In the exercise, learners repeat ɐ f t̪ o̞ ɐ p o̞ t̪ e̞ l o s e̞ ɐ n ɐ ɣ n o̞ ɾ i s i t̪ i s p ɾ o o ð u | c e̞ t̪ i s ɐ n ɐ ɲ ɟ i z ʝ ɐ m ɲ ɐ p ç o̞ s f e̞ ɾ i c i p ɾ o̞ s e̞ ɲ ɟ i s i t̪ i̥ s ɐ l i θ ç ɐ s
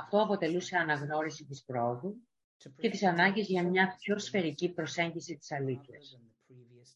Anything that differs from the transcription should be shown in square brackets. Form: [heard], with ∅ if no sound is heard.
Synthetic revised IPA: ɐ f t̪ o̞ ɐ p o̞ t̪ e̞ l [u] s e̞ ɐ n ɐ ɣ n o̞ ɾ i s i t̪ i s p ɾ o o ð u | c e̞ t̪ i s ɐ n ɐ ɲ ɟ i z ʝ ɐ m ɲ ɐ p ç o̞ s f e̞ ɾ i c i p ɾ o̞ s e̞ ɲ ɟ i s i t̪ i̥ s ɐ l i θ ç ɐ s